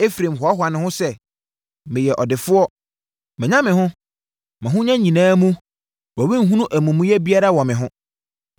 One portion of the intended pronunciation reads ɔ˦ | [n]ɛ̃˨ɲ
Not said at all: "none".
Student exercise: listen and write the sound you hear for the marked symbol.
m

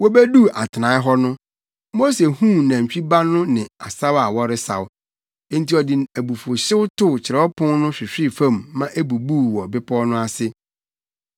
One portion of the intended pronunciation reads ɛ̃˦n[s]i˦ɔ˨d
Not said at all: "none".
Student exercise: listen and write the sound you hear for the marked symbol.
t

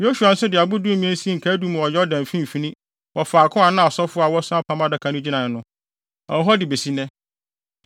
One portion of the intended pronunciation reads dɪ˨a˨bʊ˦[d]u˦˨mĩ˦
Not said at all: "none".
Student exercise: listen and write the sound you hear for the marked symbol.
d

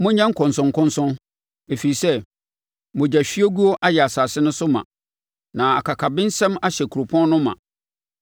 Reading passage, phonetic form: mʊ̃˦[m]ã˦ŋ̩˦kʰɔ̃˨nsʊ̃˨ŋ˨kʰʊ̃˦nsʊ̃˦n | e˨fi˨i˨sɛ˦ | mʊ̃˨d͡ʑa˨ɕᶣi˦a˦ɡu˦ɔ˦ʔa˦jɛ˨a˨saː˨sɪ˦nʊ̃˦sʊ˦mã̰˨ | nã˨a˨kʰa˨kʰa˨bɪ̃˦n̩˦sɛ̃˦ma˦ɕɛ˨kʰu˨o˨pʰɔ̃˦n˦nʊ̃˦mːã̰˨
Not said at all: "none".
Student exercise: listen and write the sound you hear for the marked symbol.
ɲ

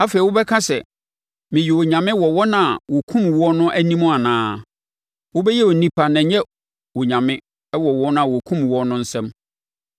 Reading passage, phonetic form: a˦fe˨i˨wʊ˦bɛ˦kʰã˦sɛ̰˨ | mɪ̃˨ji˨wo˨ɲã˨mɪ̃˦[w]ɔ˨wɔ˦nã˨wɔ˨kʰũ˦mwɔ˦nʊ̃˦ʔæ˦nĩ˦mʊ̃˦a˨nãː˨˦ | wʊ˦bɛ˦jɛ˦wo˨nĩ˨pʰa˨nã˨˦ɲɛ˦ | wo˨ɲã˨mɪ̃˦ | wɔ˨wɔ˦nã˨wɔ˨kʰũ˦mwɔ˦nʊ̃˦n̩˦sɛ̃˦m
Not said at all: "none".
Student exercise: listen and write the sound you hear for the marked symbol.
w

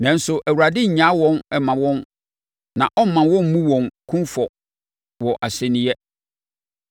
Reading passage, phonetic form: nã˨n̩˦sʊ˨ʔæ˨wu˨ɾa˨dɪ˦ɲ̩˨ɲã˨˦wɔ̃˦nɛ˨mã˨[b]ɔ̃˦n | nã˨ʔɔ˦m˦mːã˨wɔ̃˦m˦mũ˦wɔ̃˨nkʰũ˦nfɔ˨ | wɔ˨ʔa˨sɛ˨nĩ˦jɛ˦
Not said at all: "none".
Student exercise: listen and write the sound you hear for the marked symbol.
w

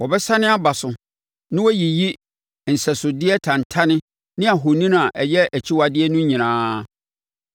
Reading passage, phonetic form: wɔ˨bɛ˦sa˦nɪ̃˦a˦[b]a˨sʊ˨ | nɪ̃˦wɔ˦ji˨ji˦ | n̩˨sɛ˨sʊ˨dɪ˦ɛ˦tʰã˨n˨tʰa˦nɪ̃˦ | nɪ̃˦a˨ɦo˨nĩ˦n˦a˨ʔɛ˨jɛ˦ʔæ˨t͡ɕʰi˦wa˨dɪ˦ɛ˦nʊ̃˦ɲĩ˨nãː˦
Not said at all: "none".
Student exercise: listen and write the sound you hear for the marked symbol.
b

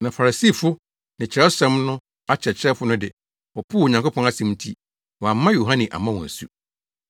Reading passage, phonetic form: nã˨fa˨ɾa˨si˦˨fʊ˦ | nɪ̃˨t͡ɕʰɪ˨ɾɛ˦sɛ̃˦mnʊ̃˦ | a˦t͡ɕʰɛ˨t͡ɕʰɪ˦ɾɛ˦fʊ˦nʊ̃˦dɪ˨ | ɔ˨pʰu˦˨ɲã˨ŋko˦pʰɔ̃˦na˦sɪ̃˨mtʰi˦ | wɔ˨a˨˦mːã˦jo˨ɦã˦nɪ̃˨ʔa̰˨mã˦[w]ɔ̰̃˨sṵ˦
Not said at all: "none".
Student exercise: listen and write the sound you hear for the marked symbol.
w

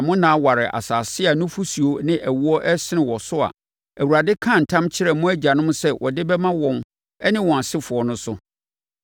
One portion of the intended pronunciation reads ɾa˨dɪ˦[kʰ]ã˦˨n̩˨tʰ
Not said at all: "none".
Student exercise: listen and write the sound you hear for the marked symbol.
kʰ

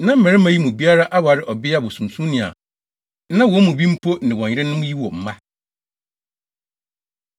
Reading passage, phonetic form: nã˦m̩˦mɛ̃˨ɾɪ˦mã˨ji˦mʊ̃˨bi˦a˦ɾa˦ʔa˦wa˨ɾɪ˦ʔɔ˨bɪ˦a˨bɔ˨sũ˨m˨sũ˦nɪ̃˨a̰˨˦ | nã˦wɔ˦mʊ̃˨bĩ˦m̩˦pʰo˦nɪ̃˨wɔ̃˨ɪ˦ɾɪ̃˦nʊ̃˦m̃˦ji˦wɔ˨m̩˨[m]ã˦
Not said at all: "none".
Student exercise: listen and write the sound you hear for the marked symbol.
m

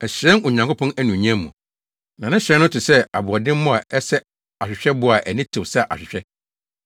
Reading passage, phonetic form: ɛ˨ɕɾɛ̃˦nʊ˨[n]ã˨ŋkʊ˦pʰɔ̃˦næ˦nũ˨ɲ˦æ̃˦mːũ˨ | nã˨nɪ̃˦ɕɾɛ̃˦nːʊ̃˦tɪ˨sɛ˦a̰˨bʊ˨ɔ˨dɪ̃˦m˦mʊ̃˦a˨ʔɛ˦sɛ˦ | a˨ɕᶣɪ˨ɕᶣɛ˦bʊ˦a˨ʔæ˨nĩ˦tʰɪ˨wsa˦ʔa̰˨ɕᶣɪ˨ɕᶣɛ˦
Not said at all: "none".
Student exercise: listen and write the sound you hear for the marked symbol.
ɲ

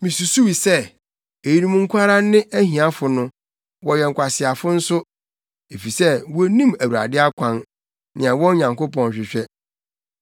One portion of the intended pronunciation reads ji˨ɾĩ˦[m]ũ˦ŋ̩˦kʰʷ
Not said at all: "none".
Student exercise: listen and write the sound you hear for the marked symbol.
m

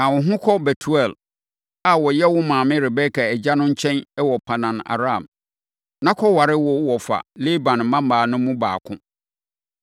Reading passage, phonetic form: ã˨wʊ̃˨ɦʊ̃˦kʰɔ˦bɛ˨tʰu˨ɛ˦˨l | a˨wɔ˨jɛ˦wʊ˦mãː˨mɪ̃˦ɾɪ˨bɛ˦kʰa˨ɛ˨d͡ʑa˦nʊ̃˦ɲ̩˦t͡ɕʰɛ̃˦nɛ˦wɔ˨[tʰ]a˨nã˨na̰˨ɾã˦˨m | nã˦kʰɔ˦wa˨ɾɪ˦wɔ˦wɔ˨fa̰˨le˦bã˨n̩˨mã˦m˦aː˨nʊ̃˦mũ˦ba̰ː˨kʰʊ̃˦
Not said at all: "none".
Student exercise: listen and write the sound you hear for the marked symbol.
pʰ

